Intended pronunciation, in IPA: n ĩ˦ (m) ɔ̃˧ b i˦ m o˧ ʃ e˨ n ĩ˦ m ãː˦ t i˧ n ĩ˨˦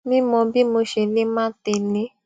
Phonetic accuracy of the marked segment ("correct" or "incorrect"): correct